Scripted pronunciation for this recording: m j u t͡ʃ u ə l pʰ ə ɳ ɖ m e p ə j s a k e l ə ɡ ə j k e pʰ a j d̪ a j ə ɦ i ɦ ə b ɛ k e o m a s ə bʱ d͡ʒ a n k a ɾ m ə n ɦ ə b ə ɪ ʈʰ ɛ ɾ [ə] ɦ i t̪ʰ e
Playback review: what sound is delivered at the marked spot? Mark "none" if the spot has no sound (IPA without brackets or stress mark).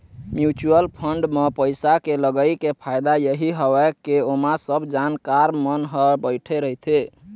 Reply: ə